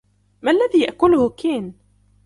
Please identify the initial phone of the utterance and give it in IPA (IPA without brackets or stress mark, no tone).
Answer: m